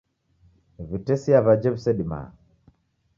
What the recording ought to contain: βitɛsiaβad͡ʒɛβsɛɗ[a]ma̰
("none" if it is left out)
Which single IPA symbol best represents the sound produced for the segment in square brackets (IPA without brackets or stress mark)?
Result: i